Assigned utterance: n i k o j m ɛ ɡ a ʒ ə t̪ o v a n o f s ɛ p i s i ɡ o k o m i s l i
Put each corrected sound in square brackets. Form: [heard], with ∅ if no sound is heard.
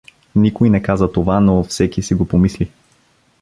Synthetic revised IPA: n i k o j [n] ɛ [k] a [z] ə t̪ o v a n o f s ɛ [k] i s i ɡ o [p] o m i s l i